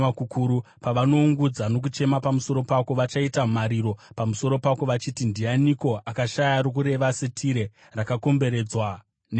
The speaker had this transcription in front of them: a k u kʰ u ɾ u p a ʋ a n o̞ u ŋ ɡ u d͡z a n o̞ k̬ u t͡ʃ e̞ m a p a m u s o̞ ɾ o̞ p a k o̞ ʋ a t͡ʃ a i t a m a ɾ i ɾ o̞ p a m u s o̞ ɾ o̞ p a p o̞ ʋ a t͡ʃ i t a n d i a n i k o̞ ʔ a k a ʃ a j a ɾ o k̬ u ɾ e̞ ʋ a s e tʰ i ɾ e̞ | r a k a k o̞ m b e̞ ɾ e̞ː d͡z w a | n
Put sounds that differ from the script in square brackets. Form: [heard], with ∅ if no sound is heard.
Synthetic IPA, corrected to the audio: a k u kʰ u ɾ u p a ʋ a n o̞ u ŋ ɡ u d͡z a n o̞ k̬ u t͡ʃ e̞ m a p a m u s o̞ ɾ o̞ p a k o̞ ʋ a t͡ʃ a i t a m a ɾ i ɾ o̞ p a m u s o̞ ɾ o̞ p a [k] o̞ ʋ a t͡ʃ i t [i] n d i a n i k o̞ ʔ a k a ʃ a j a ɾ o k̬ u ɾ e̞ ʋ a s e tʰ i ɾ e̞ | r a k a k o̞ m b e̞ ɾ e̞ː d͡z w a | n